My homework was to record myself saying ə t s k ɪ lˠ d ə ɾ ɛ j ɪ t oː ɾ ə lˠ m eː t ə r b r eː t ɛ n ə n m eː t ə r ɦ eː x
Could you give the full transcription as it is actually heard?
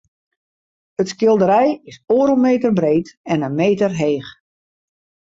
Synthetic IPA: ə t s k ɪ lˠ d ə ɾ ɛ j ɪ s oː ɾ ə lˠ m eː t ə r b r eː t ɛ n ə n m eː t ə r ɦ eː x